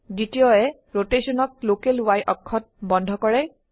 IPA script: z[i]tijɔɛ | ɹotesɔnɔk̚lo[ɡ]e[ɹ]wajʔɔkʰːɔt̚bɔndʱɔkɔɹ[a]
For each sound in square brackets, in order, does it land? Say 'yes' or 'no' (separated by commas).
yes, no, no, no